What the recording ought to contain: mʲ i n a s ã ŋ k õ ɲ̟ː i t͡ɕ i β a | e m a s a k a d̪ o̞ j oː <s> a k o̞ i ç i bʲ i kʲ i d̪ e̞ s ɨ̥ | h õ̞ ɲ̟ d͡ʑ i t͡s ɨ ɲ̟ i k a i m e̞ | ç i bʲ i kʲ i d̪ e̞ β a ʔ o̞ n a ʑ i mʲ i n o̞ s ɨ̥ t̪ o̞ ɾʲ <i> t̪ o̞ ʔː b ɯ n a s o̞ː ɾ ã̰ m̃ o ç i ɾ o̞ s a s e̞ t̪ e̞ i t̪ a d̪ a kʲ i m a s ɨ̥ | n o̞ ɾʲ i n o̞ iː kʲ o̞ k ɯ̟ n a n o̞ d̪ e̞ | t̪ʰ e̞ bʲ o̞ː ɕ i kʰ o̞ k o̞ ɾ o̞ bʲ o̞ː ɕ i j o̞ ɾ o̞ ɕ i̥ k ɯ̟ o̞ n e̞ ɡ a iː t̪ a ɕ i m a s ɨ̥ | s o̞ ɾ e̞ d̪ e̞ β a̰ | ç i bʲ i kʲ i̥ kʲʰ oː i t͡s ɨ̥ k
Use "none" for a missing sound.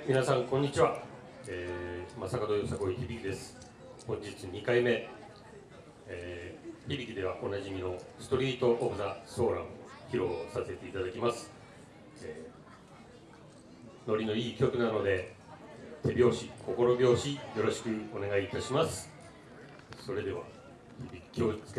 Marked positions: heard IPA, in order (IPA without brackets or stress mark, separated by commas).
s, iː